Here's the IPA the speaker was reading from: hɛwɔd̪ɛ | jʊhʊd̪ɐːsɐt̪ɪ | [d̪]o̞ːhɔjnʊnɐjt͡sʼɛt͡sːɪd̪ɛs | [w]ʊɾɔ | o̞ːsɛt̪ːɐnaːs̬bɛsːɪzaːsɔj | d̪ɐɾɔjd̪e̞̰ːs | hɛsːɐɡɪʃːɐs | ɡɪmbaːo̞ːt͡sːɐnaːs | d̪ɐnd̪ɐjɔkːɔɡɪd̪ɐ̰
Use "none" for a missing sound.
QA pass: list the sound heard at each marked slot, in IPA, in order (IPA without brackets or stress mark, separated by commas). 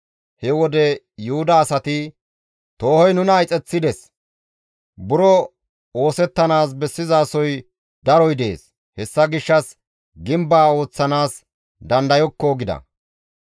t̪, b